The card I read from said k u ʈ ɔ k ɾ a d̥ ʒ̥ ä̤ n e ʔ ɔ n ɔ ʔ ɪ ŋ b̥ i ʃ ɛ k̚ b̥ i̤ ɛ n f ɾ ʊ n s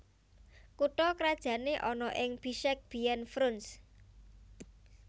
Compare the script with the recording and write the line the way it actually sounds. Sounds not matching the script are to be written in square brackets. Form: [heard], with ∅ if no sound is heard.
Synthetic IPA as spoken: k u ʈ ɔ k ɾ a d̥ ʒ̥ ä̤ n e ʔ ɔ n ɔ ʔ ɪ ŋ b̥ i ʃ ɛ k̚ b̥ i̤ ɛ n f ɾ ʊ n s